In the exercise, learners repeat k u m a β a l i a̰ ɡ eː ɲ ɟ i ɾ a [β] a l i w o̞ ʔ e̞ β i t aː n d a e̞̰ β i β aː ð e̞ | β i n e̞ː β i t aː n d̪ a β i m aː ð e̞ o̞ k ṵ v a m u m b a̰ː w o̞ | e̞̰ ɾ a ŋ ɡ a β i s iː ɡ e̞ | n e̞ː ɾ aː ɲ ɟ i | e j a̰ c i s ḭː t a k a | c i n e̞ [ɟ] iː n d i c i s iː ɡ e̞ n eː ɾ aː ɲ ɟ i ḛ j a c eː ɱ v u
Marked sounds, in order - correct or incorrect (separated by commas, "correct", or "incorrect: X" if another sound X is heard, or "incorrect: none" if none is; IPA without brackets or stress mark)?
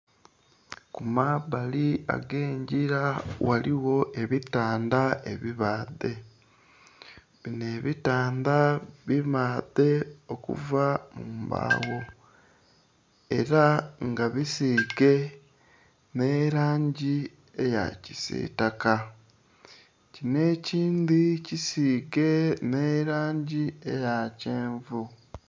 incorrect: w, incorrect: c